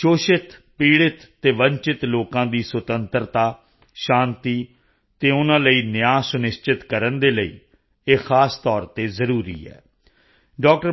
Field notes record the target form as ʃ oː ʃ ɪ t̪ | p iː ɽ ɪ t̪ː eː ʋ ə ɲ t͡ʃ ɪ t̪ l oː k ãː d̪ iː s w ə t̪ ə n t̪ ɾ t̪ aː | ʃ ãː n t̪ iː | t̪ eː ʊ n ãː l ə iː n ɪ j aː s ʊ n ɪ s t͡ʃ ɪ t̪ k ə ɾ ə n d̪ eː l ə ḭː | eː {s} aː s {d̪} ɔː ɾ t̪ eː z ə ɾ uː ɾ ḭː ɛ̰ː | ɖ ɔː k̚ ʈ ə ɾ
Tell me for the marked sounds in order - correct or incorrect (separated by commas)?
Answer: incorrect, incorrect